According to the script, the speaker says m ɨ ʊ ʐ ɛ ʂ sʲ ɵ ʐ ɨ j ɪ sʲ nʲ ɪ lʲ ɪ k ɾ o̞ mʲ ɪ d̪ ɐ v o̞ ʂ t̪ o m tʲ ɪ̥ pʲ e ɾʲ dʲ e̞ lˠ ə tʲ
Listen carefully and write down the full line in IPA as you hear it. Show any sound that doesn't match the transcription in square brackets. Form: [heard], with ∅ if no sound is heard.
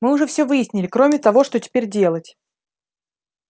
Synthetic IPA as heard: m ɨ ʊ ʐ ɛ [f] sʲ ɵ [v] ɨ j ɪ sʲ nʲ ɪ lʲ ɪ k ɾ o̞ mʲ ɪ [t̪] ɐ v o̞ ʂ t̪ o [∅] tʲ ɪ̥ pʲ e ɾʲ dʲ e̞ lˠ ə tʲ